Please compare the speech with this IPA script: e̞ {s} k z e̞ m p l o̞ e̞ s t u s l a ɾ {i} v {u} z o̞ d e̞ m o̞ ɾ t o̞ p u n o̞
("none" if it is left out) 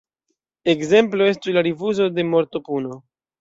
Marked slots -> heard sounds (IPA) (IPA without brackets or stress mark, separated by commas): none, i, u